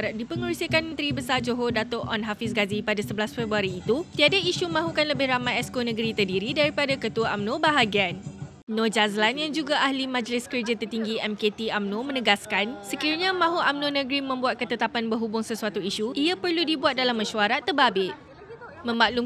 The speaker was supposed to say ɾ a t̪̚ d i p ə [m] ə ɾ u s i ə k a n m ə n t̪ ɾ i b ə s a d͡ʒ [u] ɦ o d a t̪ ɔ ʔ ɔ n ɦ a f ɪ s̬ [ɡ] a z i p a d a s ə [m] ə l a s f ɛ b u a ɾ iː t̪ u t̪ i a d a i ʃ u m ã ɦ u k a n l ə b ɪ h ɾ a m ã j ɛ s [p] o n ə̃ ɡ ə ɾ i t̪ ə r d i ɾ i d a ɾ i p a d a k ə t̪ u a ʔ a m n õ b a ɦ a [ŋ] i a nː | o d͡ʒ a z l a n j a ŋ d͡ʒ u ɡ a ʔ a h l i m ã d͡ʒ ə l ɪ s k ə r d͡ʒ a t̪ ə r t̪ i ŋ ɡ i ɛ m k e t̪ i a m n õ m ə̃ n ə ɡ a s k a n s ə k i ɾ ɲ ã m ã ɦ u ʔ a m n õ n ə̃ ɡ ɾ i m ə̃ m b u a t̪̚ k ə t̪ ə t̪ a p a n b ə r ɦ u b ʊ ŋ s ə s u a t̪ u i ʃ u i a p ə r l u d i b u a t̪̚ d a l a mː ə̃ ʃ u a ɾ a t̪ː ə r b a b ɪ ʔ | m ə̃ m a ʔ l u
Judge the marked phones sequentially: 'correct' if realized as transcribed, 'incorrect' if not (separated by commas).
incorrect, incorrect, correct, incorrect, incorrect, incorrect